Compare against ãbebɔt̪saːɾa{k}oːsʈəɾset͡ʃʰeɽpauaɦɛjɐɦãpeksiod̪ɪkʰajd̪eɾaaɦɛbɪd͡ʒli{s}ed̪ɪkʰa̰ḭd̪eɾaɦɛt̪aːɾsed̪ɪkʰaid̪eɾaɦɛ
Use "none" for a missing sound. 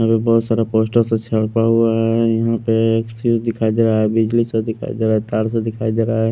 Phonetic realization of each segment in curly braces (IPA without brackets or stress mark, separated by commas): p, s